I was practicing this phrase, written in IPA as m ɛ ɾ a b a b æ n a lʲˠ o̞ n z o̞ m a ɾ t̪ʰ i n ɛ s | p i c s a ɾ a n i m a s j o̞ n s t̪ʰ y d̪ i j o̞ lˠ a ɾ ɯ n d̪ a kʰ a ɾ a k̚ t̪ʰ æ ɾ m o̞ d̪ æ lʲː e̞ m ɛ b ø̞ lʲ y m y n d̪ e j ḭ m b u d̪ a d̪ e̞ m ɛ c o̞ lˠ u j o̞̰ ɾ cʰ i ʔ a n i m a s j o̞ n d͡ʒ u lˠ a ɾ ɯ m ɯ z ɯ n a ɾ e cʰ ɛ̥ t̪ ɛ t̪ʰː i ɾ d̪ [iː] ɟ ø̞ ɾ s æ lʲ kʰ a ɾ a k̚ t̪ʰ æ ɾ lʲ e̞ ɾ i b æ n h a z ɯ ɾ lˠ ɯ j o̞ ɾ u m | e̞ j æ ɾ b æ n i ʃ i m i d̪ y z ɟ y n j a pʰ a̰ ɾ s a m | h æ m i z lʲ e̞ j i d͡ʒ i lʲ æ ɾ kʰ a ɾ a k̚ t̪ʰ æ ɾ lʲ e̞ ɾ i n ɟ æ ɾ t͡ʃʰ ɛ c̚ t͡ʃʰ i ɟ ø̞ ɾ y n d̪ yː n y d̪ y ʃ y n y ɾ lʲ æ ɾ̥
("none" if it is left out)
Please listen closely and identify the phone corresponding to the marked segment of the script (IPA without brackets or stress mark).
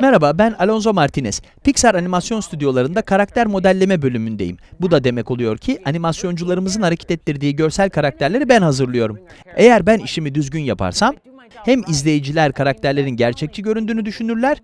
iː